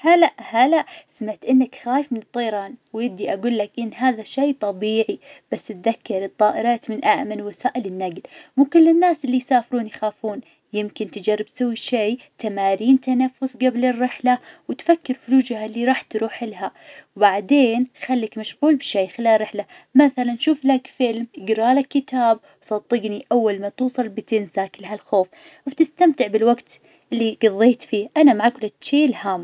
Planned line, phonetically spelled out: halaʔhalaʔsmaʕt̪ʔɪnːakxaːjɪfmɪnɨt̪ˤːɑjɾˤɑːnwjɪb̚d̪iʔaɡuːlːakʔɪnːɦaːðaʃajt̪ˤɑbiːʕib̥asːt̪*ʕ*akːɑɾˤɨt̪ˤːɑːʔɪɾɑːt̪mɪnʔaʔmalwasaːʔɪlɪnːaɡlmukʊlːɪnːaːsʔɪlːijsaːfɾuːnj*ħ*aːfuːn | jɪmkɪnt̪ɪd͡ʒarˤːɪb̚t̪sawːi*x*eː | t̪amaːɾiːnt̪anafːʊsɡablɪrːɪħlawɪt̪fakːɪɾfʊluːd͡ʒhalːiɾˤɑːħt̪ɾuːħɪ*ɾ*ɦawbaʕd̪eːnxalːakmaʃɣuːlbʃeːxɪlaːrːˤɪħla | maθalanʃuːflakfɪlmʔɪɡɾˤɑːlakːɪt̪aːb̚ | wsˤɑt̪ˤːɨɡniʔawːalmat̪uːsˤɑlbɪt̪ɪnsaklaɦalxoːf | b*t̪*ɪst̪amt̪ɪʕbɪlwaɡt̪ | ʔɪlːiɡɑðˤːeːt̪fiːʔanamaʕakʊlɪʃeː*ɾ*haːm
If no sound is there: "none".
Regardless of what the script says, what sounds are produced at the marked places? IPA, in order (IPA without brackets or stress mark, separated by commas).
ð, x, ʃ, l, t̪, l